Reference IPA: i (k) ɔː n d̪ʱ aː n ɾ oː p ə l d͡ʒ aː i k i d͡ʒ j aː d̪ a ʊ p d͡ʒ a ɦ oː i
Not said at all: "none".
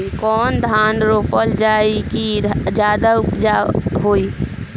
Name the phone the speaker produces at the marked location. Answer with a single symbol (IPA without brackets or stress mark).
k